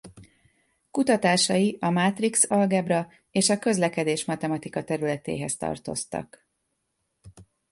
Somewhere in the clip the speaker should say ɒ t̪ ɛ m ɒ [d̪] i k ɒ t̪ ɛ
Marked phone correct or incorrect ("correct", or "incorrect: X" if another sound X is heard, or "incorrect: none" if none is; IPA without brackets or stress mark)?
incorrect: t̪